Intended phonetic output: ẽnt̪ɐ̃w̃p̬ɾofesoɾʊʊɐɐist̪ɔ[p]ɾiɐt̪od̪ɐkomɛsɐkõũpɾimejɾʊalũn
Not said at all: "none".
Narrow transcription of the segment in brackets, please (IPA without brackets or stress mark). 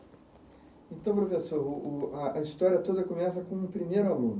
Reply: none